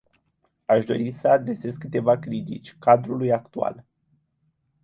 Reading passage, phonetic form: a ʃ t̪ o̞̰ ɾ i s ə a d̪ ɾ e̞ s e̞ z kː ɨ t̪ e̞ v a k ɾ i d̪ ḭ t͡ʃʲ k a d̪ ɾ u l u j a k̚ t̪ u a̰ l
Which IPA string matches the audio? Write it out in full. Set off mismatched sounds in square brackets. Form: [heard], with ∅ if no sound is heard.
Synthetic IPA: a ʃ [d̪] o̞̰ ɾ i s ə a d̪ ɾ e̞ s e̞ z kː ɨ t̪ e̞ v a k ɾ i [t̪] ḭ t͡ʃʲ k a d̪ ɾ u l u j a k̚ t̪ u a̰ l